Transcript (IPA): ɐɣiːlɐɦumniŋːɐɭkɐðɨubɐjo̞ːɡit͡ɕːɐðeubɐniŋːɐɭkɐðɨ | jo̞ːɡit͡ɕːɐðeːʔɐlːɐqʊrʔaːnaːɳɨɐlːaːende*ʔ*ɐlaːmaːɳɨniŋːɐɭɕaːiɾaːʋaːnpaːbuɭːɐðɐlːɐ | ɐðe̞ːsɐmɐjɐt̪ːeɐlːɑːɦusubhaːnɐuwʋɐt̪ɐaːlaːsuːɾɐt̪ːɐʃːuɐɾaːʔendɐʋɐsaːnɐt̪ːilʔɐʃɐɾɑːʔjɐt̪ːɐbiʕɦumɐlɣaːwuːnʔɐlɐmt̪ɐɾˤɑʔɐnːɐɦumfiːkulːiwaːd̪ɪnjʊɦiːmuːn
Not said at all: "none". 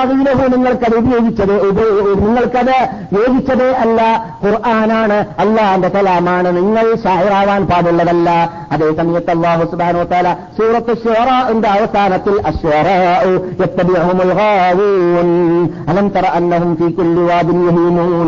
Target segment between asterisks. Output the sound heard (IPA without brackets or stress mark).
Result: k